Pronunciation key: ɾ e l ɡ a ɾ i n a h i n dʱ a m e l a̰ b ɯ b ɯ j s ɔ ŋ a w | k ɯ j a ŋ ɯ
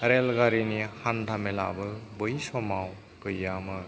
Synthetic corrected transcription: ɾ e l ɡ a ɾ i n i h a n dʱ a m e l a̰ b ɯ b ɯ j s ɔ m a w | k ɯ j a m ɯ